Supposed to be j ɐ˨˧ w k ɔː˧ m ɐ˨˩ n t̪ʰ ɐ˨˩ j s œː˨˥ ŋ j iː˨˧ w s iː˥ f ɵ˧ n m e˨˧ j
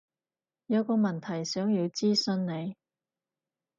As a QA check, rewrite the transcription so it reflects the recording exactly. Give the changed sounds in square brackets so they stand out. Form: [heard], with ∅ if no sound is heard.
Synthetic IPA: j ɐ˨˧ w k ɔː˧ m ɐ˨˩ n t̪ʰ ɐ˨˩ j s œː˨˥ ŋ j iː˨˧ w [t͡s] iː˥ [s] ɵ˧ n [n] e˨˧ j